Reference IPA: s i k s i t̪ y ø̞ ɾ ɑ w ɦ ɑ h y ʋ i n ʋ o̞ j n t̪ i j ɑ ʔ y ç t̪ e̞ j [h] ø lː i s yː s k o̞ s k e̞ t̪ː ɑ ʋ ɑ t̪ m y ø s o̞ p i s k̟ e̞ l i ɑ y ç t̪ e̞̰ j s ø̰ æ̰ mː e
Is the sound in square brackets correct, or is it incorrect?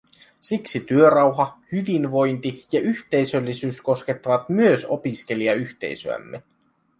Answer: incorrect